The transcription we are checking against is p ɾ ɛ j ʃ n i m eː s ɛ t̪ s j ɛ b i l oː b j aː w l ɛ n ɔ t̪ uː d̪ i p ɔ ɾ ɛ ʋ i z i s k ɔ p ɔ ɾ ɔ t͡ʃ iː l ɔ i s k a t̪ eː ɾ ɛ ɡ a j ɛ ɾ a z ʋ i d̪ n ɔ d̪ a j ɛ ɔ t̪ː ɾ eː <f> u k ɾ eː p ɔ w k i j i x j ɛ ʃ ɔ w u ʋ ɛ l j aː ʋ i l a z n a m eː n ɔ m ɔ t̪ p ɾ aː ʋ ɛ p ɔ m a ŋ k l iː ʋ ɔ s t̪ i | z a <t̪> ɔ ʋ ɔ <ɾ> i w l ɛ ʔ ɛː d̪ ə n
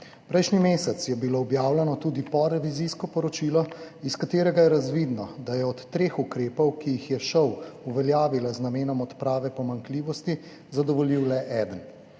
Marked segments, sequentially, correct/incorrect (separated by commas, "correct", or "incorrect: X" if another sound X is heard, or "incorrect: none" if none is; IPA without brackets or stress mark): incorrect: x, incorrect: d̪, incorrect: l